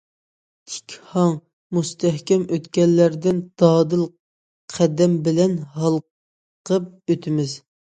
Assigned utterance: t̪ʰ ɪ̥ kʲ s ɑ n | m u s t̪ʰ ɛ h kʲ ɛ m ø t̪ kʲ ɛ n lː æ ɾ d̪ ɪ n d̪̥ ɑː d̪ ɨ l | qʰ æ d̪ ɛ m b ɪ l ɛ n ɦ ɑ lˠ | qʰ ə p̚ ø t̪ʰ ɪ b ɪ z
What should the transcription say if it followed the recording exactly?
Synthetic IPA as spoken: t̪ʰ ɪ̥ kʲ h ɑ ŋ | m u s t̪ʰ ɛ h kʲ ɛ m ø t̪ kʲ ɛ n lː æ ɾ d̪ ɪ n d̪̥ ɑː d̪ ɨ l | qʰ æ d̪ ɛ m b ɪ l ɛ n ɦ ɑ lˠ | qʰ ə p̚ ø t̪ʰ ɪ m ɪ z

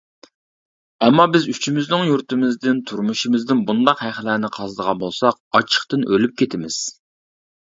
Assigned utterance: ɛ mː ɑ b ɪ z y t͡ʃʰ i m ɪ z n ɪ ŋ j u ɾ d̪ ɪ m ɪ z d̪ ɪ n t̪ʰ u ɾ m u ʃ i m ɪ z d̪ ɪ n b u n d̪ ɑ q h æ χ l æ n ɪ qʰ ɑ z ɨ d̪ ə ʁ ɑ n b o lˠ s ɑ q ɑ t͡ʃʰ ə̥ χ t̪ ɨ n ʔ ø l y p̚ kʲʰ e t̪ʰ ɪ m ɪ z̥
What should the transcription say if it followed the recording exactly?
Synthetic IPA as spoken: ɛ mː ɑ b ɪ z y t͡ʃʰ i m ɪ z n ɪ ŋ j u ɾ t̪ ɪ m ɪ z d̪ ɪ n t̪ʰ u ɾ m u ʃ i m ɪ z d̪ ɪ n b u n d̪ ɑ q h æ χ l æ n ɪ qʰ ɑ z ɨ d̪ ə ʁ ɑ n b o lˠ s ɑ q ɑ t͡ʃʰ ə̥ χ t̪ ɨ n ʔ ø l y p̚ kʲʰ e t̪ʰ ɪ m ɪ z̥

